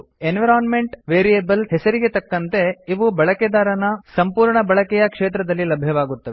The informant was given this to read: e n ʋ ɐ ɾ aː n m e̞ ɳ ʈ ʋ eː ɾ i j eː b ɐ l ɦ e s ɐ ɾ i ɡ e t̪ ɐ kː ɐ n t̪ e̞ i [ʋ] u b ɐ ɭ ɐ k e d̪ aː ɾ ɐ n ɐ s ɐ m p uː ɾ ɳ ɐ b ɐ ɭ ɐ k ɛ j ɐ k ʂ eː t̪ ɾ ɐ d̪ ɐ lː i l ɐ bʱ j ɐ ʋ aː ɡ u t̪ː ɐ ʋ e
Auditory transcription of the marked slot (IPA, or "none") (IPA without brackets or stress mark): ʋ